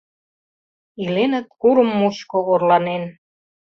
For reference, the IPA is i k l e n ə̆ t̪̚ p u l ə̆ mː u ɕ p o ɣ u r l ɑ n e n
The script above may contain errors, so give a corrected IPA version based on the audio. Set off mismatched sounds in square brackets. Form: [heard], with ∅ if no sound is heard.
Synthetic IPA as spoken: i [∅] l e n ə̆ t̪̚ [k] u [ɾ] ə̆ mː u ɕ [k] o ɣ [o] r l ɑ n e n